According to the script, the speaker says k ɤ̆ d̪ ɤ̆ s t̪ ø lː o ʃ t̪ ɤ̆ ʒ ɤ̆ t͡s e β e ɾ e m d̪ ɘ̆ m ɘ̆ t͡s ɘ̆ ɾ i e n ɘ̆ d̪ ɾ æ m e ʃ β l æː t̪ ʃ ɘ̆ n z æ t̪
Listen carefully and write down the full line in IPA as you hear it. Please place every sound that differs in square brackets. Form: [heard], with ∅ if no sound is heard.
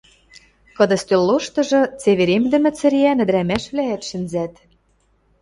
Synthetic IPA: k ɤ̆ d̪ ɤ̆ s t̪ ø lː o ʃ t̪ ɤ̆ ʒ ɤ̆ t͡s e β e ɾ e m d̪ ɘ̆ m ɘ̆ t͡s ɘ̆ ɾ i [æ] n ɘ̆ d̪ ɾ æ m [æ] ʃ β l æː t̪ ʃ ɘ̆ n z æ t̪